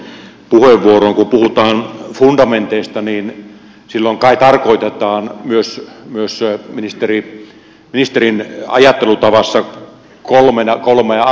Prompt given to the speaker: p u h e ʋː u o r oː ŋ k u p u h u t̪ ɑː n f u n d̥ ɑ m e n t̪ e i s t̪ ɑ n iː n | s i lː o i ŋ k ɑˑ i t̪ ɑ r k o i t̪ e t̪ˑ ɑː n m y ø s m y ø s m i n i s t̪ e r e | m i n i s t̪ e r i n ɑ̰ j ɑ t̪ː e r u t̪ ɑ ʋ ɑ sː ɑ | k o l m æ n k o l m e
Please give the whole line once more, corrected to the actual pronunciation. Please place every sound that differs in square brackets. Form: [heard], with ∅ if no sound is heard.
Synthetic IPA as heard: p u h e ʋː u o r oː ŋ k u p u h u t̪ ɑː n f u n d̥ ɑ m e n t̪ e i s t̪ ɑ n iː n | s i lː o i ŋ k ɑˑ i t̪ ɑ r k o i t̪ e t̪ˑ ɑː n m y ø s m y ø s m i n i s t̪ e r [i] | m i n i s t̪ e r i n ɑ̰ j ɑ t̪ː e [l] u t̪ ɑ ʋ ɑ sː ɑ | k o l m [e] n k o l m e